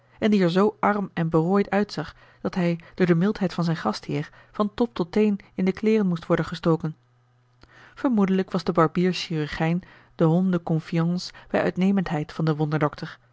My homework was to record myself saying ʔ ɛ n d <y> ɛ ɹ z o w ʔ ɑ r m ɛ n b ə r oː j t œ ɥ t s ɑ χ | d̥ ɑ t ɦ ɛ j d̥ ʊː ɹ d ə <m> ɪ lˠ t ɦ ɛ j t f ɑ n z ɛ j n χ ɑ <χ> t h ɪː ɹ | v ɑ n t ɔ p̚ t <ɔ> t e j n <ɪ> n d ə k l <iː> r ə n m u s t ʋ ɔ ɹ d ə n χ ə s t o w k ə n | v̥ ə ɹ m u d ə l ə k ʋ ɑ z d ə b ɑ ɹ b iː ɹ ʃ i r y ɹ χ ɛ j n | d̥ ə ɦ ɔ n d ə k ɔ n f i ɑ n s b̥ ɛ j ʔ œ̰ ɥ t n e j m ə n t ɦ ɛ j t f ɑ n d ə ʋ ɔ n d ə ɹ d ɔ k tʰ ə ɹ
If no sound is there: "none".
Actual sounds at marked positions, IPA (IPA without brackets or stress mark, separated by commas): i, m, s, ɔ, ɪ, ɪː